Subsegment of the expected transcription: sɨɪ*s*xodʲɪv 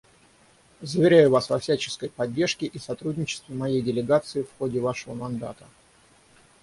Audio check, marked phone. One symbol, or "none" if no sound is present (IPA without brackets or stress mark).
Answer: f